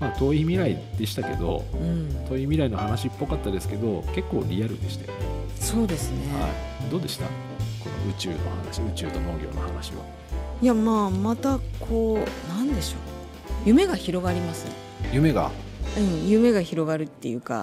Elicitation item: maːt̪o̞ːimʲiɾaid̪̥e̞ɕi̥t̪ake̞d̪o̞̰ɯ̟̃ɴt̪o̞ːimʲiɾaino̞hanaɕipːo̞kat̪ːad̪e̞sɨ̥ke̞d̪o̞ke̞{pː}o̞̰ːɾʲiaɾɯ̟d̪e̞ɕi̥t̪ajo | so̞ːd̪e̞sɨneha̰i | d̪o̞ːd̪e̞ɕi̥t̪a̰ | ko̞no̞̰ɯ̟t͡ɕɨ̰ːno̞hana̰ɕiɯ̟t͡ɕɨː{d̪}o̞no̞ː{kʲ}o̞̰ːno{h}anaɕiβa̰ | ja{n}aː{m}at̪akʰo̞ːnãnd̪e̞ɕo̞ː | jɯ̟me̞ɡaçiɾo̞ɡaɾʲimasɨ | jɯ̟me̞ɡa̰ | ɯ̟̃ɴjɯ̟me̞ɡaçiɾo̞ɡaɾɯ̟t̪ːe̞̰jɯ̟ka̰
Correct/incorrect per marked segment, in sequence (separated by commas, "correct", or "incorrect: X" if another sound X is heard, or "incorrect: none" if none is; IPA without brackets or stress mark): incorrect: kː, incorrect: t̪, incorrect: ɡʲ, correct, incorrect: m, correct